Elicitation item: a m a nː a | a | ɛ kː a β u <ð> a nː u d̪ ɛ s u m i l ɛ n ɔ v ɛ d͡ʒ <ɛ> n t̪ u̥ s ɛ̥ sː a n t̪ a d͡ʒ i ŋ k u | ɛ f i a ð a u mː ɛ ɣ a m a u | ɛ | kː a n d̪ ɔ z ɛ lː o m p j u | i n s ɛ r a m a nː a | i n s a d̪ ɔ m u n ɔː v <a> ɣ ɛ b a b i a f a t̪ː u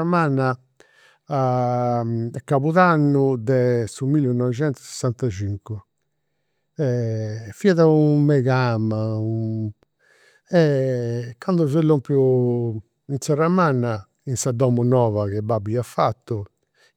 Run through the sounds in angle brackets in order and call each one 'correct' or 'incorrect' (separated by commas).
correct, correct, correct